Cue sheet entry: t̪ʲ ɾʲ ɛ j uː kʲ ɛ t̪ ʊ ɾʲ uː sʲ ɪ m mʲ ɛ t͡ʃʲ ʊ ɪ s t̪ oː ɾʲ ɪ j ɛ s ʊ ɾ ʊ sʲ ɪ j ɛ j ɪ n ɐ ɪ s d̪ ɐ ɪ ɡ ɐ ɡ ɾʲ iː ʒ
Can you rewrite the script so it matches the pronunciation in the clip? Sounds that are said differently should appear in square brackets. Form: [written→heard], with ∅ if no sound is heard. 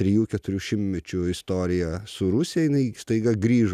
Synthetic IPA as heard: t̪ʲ ɾʲ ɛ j uː kʲ ɛ t̪ ʊ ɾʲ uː [sʲ→ʃʲ] ɪ m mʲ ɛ t͡ʃʲ ʊ ɪ s t̪ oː ɾʲ ɪ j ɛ s ʊ ɾ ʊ sʲ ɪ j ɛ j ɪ n ɐ ɪ s [d̪→t̪] ɐ ɪ ɡ ɐ ɡ ɾʲ iː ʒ